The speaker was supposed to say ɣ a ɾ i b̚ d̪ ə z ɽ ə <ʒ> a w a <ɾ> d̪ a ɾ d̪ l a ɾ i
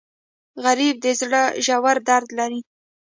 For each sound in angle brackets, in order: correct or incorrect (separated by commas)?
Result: correct, correct